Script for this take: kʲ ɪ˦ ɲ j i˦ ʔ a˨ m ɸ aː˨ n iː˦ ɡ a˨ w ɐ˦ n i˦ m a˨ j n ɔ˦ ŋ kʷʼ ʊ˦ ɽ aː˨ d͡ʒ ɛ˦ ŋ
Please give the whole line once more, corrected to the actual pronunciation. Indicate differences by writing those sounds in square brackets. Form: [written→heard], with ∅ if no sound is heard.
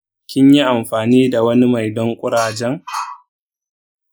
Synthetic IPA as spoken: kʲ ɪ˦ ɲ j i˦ ʔ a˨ m ɸ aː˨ n iː˦ [ɡ→d] a˨ w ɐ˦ n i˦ m a˨ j [n→d] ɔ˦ ŋ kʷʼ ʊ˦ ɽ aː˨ d͡ʒ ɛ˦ ŋ